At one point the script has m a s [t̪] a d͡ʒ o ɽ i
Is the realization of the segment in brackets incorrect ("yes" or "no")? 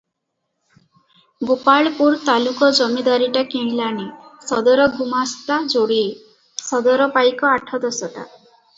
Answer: no